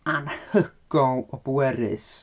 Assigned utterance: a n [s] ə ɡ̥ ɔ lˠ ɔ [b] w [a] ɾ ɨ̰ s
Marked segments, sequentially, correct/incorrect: incorrect, correct, incorrect

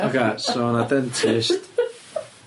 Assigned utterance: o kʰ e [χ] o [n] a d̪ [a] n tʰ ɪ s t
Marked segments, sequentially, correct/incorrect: incorrect, correct, incorrect

